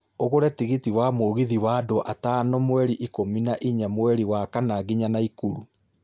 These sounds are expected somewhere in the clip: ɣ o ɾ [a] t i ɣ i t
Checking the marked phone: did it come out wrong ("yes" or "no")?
yes